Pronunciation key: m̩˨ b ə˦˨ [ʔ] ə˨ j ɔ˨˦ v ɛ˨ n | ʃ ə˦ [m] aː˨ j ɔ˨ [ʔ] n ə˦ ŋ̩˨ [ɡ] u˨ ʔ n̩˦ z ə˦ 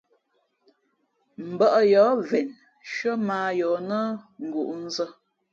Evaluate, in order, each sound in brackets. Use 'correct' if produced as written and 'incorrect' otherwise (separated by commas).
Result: correct, correct, incorrect, correct